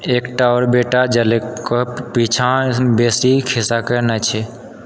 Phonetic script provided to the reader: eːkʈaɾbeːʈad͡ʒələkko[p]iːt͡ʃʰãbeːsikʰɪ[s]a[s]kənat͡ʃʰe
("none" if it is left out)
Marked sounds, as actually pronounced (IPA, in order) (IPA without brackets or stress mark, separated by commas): p, s, none